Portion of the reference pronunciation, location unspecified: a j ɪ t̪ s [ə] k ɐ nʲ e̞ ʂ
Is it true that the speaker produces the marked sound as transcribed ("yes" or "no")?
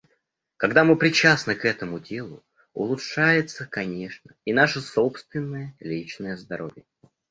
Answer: yes